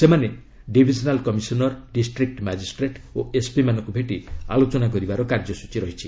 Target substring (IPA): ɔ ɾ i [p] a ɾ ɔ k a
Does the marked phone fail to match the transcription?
yes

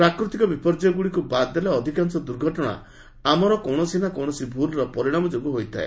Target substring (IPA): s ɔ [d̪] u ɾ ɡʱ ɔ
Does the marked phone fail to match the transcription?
no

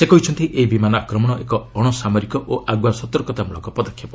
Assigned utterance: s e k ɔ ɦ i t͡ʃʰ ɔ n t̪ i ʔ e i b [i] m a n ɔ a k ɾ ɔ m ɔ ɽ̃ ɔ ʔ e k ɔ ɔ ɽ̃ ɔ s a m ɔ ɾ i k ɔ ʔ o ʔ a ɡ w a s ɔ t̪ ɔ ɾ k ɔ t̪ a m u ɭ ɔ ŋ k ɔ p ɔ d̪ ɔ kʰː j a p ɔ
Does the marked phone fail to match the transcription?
no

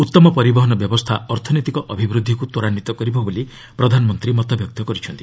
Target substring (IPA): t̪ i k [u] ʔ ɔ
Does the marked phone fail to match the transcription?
yes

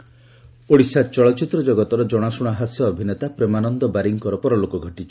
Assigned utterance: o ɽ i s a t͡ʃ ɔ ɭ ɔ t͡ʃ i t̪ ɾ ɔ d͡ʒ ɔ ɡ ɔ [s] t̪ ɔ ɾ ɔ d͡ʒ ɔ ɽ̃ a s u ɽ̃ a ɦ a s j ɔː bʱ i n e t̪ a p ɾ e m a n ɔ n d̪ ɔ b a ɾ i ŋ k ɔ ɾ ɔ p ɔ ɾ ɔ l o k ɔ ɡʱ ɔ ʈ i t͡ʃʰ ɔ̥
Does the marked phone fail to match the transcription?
yes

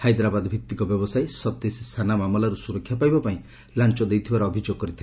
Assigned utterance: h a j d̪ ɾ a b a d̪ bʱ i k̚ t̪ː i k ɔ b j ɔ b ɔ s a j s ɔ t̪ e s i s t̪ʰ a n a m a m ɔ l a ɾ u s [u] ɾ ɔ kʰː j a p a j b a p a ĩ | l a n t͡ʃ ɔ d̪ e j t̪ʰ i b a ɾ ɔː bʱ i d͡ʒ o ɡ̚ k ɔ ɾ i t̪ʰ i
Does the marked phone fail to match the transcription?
no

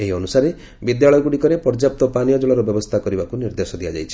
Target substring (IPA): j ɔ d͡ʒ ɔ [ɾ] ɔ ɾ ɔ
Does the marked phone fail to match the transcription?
yes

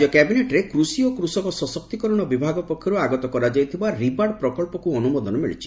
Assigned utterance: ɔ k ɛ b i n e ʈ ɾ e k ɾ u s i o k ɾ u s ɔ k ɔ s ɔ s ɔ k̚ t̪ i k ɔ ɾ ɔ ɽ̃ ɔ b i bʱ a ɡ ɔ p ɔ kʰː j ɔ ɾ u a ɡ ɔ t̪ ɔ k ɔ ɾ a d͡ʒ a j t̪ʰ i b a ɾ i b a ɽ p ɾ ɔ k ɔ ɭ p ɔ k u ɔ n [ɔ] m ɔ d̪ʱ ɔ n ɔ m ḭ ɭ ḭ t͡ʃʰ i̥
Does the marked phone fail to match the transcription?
yes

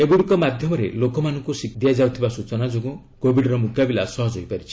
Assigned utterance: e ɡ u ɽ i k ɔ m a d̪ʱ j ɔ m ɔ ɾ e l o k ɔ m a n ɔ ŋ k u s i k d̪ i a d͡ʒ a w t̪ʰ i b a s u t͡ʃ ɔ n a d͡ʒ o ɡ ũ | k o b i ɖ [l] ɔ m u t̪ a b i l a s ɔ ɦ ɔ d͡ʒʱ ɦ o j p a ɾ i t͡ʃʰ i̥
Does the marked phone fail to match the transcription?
yes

